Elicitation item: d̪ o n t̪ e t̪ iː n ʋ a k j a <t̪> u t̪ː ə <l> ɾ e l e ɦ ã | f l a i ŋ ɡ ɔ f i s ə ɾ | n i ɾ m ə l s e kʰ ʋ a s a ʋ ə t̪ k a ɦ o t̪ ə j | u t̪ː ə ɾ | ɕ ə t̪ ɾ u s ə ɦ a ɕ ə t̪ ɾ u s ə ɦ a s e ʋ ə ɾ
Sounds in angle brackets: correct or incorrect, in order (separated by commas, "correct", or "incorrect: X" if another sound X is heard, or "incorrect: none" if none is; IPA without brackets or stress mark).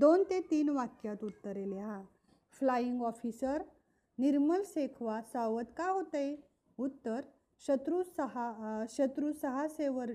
correct, incorrect: none